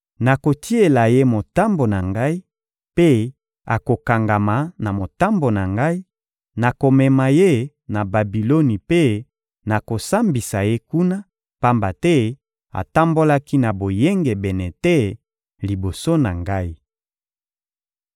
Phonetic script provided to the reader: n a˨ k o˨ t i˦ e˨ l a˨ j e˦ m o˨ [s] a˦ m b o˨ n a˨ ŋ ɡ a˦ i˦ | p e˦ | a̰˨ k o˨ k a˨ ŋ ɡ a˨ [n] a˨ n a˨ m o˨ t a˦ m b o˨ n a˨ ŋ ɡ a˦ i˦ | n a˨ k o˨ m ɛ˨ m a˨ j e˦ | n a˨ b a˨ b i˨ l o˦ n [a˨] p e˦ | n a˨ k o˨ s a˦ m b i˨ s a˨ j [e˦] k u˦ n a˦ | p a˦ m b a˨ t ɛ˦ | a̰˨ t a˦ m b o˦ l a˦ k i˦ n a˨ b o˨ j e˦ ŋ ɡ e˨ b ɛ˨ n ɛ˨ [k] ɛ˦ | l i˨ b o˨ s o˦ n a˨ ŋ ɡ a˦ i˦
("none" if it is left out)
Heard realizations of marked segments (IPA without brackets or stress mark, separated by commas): t, m, i˨, e˦, t